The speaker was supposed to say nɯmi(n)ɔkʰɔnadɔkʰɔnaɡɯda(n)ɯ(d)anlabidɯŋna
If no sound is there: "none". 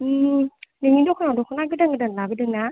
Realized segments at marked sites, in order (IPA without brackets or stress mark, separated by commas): d, ŋ, d